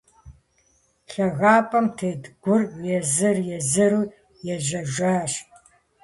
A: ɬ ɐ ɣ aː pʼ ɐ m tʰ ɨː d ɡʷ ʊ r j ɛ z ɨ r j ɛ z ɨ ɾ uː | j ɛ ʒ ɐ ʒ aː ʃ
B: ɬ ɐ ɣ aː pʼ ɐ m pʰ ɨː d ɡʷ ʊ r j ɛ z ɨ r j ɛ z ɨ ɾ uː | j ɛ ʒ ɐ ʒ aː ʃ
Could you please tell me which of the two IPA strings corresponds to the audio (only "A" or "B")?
A